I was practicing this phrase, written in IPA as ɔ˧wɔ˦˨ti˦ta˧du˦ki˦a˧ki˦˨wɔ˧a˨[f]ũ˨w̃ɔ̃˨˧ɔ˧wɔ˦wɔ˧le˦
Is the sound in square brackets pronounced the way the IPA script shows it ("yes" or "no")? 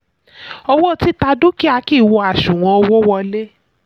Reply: no